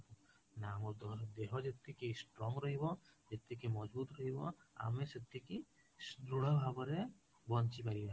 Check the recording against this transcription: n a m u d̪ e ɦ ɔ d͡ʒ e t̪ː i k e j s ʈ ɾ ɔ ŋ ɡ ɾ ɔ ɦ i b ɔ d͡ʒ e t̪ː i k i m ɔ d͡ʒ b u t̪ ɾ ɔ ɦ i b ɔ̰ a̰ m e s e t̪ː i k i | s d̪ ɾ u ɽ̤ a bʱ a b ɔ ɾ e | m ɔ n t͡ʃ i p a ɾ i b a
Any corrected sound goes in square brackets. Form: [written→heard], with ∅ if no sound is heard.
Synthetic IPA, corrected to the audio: n a m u d̪ e ɦ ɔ d͡ʒ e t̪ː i k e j s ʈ ɾ ɔ ŋ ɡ ɾ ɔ ɦ i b ɔ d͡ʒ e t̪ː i k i m ɔ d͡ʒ b u t̪ ɾ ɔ ɦ i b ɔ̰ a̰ m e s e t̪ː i k i | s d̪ ɾ u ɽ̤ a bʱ a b ɔ ɾ e | [m→b] ɔ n t͡ʃ i p a ɾ i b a